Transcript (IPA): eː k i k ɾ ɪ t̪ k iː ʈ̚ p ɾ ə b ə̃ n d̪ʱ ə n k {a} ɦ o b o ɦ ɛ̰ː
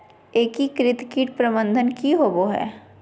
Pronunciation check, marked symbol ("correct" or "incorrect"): incorrect